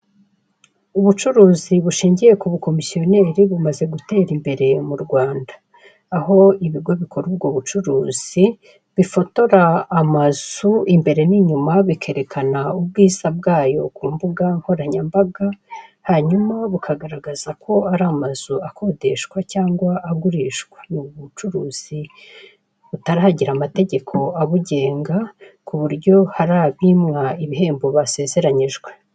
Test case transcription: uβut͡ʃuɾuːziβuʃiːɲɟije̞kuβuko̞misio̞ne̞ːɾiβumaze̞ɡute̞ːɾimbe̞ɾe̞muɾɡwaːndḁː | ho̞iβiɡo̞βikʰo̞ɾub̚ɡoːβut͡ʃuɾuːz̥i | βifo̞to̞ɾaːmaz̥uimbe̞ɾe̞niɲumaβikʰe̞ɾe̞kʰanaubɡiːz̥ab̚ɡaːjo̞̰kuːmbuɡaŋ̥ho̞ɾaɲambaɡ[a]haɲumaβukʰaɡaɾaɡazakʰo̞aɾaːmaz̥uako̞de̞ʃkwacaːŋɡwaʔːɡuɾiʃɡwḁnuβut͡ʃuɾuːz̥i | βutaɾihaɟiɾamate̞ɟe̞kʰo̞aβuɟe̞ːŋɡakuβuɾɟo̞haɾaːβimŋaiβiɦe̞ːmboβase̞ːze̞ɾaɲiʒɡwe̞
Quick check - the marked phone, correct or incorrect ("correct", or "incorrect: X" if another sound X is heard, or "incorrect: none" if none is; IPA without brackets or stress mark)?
correct